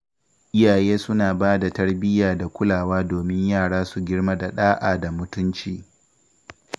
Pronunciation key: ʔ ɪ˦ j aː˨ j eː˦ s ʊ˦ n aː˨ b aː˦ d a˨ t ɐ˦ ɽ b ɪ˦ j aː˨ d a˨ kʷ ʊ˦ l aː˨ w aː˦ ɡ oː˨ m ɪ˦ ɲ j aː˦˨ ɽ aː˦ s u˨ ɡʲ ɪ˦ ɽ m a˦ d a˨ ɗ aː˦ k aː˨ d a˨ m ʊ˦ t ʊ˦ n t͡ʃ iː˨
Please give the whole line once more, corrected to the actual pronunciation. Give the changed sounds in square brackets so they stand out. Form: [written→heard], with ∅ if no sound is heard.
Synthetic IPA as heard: ʔ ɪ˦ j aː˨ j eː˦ s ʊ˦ n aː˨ b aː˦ d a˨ t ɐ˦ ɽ b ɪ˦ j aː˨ d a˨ kʷ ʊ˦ l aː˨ w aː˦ [ɡ→d] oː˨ m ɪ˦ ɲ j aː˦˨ ɽ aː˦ s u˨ ɡʲ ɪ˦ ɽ m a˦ d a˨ ɗ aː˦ [k→ʔ] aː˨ d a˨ m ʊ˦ t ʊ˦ n t͡ʃ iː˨